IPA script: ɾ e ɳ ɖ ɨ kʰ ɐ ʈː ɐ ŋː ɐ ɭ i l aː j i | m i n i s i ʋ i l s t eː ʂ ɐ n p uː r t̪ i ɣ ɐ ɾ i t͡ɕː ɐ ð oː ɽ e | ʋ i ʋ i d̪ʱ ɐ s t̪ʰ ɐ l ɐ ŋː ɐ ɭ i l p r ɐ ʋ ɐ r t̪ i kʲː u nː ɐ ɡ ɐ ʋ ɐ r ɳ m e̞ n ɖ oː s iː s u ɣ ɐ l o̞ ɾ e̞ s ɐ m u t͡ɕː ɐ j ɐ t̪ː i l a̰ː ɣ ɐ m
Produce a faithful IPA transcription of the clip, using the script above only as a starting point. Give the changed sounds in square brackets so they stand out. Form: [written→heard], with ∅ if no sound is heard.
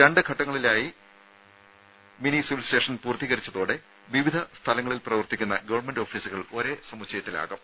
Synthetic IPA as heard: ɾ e ɳ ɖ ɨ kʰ ɐ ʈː ɐ ŋː ɐ ɭ i l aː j i | m i n i s i ʋ i l s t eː ʂ ɐ n p uː r t̪ i ɣ ɐ ɾ i t͡ɕː ɐ ð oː ɽ e | ʋ i ʋ i d̪ʱ ɐ s t̪ʰ ɐ l ɐ ŋː ɐ ɭ i l p r ɐ ʋ ɐ r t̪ i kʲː u nː ɐ ɡ ɐ ʋ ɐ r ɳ m e̞ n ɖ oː [s→f] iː s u ɣ ɐ [l→ɭ] o̞ ɾ e̞ s ɐ m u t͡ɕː ɐ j ɐ t̪ː i l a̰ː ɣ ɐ m